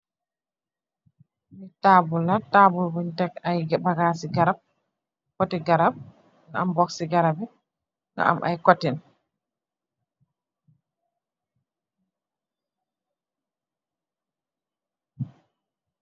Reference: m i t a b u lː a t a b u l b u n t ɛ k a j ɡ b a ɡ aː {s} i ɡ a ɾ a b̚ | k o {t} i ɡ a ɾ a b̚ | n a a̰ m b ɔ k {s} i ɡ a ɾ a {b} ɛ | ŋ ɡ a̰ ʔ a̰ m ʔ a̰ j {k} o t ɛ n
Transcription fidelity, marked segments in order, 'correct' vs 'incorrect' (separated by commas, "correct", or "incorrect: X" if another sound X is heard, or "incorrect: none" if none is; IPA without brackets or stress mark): correct, correct, correct, correct, correct